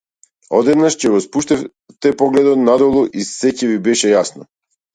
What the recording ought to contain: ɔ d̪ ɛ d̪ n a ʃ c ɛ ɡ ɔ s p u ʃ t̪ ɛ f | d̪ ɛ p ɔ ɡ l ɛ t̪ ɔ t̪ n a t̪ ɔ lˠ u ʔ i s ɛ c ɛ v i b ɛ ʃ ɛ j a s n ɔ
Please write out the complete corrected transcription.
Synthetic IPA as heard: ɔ d̪ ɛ d̪ n a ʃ c ɛ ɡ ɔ s p u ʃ t̪ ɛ f | t̪ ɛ p ɔ ɡ l ɛ d̪ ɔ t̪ n a d̪ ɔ lˠ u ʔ i s ɛ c ɛ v i b ɛ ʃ ɛ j a s n ɔ